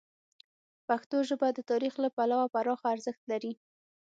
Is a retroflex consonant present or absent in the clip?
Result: absent